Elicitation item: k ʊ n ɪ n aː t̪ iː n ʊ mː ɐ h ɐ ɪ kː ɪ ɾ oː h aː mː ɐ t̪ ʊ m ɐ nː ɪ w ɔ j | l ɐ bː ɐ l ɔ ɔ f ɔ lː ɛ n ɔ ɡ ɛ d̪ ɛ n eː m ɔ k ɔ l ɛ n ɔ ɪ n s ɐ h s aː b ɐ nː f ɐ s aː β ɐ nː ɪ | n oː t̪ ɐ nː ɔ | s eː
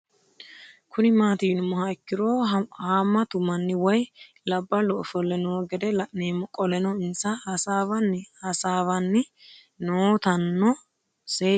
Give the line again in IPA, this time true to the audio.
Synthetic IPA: k ʊ n ɪ m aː t̪ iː n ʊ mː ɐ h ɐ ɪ kː ɪ ɾ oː h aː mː ɐ t̪ ʊ m ɐ nː ɪ w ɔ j | l ɐ bː ɐ l ɔ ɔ f ɔ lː ɛ n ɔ ɡ ɛ d̪ ɛ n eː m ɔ kʼ ɔ l ɛ n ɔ ɪ n s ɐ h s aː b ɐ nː h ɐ s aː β ɐ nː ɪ | n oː t̪ ɐ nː ɔ | s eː